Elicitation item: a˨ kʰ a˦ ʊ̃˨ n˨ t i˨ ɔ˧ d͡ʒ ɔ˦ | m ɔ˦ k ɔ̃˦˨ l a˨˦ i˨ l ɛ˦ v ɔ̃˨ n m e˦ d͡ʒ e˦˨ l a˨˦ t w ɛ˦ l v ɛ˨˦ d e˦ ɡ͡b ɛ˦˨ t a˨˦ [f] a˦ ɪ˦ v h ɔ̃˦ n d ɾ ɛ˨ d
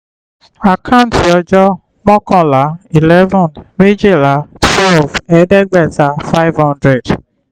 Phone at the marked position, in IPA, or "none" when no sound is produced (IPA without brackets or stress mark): f